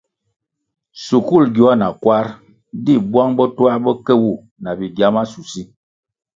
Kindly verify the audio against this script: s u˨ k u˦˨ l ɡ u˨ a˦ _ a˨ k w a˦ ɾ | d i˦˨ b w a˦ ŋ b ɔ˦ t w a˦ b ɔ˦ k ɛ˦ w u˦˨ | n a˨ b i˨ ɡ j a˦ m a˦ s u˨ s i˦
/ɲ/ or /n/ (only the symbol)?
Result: n